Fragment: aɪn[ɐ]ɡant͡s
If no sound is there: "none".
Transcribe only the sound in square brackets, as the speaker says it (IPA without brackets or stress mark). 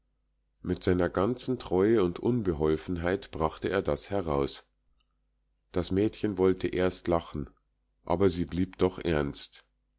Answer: ɐ